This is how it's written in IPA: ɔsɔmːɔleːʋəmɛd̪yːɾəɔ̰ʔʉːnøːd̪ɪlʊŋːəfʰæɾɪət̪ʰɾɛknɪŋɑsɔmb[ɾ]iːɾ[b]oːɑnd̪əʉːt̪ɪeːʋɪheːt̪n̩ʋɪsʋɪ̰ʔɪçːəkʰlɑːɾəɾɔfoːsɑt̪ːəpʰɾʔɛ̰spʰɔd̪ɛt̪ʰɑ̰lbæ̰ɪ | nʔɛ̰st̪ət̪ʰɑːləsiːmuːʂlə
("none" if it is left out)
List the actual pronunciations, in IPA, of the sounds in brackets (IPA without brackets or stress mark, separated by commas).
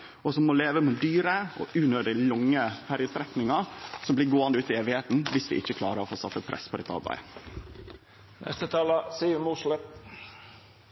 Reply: l, ɡ